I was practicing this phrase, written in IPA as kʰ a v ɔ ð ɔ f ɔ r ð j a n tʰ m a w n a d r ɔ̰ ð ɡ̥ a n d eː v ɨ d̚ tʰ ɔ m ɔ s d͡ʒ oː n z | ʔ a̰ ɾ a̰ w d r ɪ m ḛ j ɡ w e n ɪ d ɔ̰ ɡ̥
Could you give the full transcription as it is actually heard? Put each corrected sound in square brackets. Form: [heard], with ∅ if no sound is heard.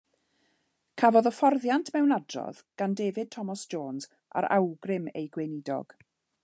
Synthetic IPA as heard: kʰ a v ɔ ð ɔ f ɔ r ð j a n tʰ m [ɛ] w n a d r ɔ̰ ð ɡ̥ a n d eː v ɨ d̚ tʰ ɔ m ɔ s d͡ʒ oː n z | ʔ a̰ ɾ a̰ w [ɡ] r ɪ m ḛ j ɡ w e n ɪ d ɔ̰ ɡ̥

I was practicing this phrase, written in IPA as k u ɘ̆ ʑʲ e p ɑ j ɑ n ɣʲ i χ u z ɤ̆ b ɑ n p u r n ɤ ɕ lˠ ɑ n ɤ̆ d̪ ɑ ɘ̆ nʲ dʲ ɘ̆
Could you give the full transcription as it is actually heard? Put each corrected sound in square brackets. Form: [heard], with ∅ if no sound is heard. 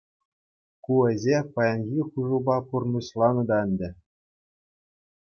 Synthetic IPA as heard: k u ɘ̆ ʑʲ e p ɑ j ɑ n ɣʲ i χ u [ʐ] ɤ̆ b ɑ [∅] p u r n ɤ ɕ lˠ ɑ n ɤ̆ d̪ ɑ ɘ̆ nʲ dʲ ɘ̆

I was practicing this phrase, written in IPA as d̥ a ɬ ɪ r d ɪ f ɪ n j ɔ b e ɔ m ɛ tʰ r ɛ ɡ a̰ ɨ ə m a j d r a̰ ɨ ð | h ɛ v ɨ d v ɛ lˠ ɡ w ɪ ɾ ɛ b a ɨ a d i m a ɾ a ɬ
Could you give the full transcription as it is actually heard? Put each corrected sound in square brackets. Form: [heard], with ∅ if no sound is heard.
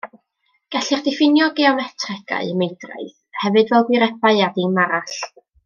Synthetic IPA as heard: [ɡ̥] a ɬ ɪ r d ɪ f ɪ n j ɔ [ɡ] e ɔ m ɛ tʰ r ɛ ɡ a̰ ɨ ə m [e] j d r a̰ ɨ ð | h ɛ v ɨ d v ɛ lˠ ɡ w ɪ ɾ ɛ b a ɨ a d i m a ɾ a ɬ

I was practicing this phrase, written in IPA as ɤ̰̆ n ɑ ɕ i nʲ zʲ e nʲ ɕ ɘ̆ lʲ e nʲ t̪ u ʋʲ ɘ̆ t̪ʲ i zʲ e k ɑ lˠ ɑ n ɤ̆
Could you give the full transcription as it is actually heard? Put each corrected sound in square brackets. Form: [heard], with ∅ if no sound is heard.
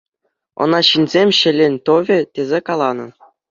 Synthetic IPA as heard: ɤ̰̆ n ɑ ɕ i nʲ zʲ e [mʲ] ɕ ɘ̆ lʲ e nʲ t̪ [o] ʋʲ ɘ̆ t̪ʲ [e] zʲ e k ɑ lˠ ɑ n ɤ̆

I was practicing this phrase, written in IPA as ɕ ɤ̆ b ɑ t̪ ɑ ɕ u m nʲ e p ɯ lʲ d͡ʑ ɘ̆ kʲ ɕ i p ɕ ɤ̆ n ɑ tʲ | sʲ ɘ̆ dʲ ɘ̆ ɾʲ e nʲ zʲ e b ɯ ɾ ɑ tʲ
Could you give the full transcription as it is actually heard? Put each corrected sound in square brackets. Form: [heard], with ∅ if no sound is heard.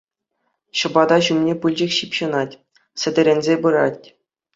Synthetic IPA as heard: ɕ ɤ̆ b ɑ [d̪] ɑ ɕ u m nʲ e p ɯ lʲ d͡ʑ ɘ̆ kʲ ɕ i p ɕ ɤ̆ n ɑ tʲ | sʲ ɘ̆ dʲ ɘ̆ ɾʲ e nʲ zʲ e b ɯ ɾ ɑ tʲ

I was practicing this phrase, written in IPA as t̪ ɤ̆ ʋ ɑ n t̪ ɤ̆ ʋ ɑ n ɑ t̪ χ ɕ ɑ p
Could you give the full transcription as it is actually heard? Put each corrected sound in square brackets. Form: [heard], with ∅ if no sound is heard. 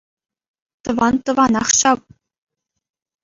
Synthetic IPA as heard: t̪ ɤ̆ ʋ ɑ n t̪ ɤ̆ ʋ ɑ n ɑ [∅] χ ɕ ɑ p

